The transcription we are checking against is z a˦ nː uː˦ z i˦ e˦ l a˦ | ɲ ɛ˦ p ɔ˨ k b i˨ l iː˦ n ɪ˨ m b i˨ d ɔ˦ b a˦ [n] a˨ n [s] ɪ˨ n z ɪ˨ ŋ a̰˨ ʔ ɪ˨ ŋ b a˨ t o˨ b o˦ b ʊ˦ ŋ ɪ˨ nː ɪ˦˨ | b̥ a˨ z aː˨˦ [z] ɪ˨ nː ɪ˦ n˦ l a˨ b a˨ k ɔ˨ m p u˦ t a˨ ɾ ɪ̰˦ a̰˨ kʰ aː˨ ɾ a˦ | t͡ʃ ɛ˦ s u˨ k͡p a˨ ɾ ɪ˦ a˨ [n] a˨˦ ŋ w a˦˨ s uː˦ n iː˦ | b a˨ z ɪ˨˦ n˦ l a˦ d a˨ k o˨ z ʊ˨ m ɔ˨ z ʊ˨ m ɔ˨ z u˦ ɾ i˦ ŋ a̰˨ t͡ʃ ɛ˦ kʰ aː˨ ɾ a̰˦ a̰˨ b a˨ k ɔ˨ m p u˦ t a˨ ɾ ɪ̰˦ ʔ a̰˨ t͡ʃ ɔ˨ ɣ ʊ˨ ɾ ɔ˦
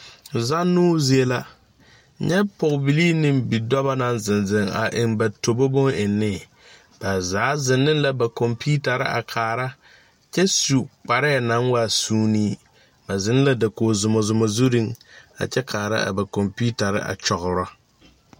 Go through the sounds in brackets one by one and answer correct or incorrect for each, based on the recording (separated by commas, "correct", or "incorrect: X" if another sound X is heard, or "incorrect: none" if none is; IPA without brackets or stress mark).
correct, incorrect: z, correct, correct